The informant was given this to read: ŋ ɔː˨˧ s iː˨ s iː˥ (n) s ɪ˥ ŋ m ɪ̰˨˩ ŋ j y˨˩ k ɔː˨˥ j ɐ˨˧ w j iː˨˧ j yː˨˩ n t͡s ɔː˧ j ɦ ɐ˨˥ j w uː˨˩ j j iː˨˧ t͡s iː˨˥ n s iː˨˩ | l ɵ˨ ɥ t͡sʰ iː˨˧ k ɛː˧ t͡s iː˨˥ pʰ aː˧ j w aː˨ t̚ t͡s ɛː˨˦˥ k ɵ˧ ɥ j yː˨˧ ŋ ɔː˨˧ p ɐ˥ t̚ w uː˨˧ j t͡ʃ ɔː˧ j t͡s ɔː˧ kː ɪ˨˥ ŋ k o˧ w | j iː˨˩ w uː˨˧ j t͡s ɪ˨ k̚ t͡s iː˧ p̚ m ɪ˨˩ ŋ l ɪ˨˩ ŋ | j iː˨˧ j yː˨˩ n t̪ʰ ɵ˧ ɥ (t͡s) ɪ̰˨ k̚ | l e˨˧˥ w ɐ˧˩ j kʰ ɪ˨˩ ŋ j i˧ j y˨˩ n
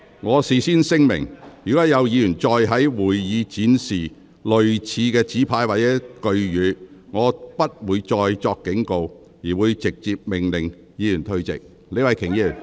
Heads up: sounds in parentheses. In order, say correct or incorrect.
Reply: correct, correct

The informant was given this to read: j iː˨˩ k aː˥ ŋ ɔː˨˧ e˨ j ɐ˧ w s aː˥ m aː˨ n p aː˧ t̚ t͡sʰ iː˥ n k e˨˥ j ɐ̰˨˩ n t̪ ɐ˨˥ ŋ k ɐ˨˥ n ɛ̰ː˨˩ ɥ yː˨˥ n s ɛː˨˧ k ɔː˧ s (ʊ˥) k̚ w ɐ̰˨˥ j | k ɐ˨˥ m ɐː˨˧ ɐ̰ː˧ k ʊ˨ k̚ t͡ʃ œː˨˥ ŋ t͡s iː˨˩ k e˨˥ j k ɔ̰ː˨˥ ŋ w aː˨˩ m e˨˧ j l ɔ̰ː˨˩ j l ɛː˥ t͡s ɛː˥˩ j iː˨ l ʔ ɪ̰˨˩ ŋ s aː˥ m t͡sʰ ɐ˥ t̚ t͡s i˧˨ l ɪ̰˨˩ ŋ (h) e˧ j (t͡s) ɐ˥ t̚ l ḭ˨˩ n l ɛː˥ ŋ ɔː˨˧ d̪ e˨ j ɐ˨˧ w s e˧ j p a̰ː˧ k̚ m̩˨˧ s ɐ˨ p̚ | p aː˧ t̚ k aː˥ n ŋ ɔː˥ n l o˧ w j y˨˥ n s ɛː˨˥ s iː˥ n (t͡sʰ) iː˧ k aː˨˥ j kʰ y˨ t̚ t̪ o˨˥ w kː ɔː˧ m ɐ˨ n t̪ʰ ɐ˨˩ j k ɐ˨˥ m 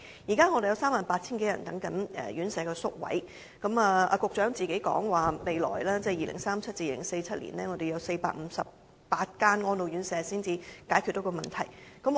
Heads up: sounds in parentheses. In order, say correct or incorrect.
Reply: correct, incorrect: s, incorrect: t͡sʰ, incorrect: t͡s

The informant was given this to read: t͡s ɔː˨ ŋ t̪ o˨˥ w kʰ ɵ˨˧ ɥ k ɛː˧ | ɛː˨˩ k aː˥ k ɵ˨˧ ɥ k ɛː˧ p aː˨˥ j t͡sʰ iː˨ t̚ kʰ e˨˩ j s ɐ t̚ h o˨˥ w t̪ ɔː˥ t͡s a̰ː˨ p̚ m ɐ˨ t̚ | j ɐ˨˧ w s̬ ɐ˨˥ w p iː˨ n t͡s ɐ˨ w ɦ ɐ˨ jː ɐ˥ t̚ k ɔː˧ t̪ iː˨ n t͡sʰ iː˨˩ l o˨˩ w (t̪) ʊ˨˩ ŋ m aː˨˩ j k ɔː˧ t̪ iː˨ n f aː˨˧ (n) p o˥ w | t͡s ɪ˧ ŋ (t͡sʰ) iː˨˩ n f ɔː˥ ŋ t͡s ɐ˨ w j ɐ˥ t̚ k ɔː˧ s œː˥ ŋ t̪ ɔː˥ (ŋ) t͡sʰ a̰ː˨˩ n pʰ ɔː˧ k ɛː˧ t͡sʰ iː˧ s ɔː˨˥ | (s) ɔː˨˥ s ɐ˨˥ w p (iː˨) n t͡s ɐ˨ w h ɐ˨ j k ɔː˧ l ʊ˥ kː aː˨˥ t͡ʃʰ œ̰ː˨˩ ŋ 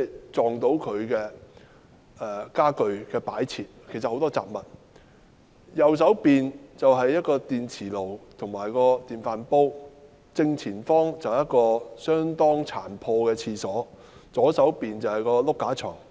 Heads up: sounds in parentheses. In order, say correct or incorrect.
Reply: incorrect: t̪ʰ, correct, correct, correct, incorrect: t͡s, correct

